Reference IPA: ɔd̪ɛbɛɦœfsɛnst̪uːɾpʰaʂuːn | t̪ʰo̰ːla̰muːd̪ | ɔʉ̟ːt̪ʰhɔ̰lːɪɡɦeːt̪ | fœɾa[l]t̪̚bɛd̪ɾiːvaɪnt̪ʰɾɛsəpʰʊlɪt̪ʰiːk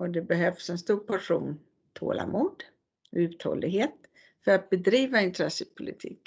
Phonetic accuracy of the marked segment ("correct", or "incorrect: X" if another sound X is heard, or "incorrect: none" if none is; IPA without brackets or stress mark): incorrect: none